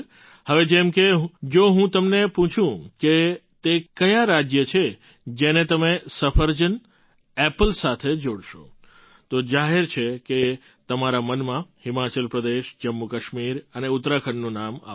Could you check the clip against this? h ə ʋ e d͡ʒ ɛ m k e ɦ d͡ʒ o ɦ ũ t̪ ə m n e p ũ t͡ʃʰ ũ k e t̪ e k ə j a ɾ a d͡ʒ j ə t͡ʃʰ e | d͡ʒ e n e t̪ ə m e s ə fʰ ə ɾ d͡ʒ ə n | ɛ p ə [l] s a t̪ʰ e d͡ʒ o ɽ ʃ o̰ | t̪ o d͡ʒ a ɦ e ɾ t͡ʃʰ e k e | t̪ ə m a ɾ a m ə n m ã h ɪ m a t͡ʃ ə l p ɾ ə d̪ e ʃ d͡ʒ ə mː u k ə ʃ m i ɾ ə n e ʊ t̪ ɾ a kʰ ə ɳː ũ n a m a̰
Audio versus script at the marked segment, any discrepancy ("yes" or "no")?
no